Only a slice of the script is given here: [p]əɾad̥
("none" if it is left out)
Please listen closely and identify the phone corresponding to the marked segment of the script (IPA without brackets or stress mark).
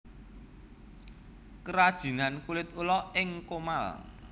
k